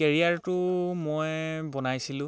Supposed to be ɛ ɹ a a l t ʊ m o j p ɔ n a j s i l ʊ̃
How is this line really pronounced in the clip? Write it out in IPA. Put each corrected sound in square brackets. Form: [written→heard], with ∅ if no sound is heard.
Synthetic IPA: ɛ ɹ [a→i] a [l→ɹ] t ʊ m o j [p→b] ɔ n a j s i l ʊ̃